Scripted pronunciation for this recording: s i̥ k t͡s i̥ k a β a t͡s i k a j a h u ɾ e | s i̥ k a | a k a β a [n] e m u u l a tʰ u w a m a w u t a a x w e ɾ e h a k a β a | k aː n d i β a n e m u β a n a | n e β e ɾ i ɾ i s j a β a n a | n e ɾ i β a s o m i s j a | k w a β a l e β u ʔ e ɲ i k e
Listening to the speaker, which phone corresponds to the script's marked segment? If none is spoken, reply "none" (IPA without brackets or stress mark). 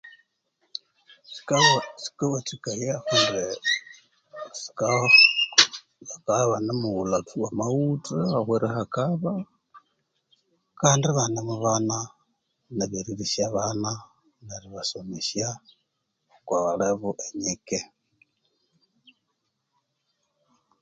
n